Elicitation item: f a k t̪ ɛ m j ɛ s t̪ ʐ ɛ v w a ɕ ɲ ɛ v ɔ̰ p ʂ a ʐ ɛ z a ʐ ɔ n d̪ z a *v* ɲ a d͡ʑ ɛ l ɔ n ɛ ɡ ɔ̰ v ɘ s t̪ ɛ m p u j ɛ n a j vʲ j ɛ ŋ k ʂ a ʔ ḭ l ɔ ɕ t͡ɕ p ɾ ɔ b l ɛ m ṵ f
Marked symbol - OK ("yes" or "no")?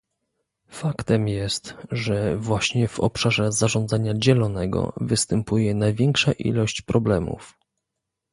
no